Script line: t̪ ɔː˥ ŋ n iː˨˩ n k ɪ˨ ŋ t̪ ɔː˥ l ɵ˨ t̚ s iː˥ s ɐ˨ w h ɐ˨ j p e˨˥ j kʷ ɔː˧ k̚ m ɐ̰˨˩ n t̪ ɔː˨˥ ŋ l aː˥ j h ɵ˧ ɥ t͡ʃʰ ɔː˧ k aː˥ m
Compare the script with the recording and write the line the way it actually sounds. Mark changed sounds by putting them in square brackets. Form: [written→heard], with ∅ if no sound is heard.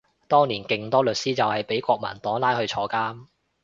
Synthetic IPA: t̪ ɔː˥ ŋ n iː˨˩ n k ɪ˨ ŋ t̪ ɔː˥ l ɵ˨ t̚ s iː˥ [s→t͡s] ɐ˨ w h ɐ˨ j p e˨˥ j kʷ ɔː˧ k̚ m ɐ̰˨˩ n t̪ ɔː˨˥ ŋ l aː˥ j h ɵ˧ ɥ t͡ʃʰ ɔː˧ k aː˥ m

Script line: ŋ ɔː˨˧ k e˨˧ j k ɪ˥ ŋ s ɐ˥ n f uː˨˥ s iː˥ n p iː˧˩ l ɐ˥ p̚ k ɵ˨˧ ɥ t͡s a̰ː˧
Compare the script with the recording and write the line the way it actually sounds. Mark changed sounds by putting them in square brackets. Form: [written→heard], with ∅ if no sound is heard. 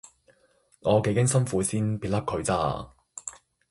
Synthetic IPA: ŋ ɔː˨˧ k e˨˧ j k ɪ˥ ŋ s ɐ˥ n f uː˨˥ s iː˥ n p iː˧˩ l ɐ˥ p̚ [k→kʰ] ɵ˨˧ ɥ t͡s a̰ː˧

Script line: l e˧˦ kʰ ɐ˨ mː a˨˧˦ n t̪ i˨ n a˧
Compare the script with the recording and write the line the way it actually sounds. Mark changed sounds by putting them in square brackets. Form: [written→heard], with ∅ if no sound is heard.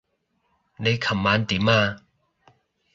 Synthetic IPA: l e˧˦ kʰ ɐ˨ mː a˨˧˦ n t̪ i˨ [n→m] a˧

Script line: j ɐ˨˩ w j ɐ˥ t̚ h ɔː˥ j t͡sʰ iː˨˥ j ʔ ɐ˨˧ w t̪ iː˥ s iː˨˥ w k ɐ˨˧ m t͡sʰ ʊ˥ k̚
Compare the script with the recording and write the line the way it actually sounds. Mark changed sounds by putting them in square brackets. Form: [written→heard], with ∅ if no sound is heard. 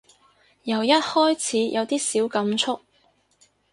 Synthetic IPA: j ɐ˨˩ w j ɐ˥ t̚ h ɔː˥ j t͡sʰ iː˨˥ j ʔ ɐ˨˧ w t̪ iː˥ s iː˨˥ w k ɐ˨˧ m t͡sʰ ʊ˥ k̚

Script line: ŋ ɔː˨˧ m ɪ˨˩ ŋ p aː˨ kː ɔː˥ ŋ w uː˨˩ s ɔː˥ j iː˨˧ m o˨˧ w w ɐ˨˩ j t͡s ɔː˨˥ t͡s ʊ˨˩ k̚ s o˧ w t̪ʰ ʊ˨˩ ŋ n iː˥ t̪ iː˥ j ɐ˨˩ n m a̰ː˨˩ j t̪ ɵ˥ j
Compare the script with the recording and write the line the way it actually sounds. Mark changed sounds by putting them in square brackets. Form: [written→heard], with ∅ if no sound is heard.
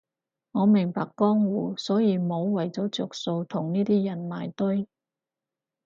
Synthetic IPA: ŋ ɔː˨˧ m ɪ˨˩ ŋ p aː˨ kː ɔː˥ ŋ w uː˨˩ s [ɔː˥→ɔː˨˥] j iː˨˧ m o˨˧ w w ɐ˨˩ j t͡s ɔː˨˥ t͡s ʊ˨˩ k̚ s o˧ w t̪ʰ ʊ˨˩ ŋ n iː˥ t̪ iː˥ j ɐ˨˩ n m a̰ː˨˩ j t̪ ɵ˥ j

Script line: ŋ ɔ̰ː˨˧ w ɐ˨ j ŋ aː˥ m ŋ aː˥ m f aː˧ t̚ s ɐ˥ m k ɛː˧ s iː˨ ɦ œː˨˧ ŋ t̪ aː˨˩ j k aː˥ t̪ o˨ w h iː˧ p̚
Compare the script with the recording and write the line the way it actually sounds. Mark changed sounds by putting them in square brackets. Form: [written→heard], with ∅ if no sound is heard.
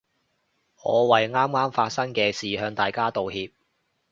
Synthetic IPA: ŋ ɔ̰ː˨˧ w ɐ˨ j ŋ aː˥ m ŋ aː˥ m f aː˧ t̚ s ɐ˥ [m→ŋ] k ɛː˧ s iː˨ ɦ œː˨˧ ŋ t̪ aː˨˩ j k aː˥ t̪ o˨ w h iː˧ p̚

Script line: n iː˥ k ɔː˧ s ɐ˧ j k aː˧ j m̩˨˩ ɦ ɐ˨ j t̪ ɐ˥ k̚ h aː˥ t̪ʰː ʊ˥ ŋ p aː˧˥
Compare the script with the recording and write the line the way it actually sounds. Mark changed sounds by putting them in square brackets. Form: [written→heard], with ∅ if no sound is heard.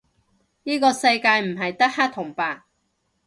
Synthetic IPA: n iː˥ k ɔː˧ s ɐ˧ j k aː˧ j m̩˨˩ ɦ ɐ˨ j t̪ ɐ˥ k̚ h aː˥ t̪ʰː [ʊ˥→ʊ˨˩] ŋ p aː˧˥

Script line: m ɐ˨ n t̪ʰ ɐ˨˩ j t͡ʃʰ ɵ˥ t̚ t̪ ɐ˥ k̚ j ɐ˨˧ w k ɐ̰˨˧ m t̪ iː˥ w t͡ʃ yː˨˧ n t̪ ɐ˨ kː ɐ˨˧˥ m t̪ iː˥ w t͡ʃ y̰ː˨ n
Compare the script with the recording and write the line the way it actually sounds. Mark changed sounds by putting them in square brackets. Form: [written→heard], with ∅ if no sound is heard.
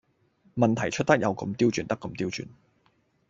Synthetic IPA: m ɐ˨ n t̪ʰ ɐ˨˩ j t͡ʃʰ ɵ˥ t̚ t̪ ɐ˥ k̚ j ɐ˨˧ w k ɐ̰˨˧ m t̪ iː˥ w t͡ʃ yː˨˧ n t̪ [ɐ˨→ɐ˥] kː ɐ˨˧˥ m t̪ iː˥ w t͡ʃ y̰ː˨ n

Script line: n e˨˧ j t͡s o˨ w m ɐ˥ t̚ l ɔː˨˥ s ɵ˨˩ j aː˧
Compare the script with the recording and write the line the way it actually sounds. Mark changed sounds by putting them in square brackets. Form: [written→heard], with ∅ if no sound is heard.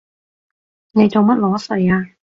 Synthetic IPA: n e˨˧ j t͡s o˨ w m ɐ˥ t̚ l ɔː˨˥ s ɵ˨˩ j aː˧

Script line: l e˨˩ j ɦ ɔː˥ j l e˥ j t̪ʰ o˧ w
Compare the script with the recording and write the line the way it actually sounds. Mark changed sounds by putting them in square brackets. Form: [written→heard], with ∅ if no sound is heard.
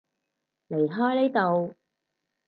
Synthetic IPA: l e˨˩ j ɦ ɔː˥ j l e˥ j [t̪ʰ→t̪] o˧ w

